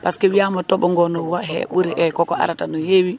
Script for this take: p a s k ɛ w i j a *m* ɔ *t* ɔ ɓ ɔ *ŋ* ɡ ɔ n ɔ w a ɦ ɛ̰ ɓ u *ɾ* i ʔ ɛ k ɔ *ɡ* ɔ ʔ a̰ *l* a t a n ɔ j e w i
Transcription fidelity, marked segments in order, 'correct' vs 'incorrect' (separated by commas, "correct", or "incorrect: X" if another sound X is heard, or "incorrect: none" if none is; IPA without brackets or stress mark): correct, correct, correct, correct, incorrect: k, incorrect: ɾ